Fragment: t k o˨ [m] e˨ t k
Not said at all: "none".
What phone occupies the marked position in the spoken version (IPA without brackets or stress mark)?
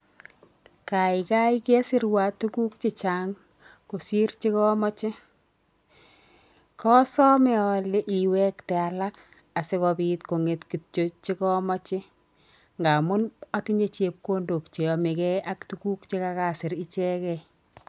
ŋ